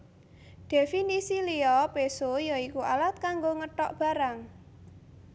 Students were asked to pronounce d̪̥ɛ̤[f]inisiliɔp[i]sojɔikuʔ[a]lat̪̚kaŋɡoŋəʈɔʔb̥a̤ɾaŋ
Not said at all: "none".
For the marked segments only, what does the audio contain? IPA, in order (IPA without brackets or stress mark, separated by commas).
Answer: f, e, a